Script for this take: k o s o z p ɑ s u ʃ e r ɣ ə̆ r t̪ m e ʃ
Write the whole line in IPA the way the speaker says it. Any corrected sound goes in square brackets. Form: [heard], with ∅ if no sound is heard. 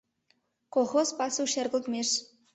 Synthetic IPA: k o [x] o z p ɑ s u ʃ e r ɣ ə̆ [l] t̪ m e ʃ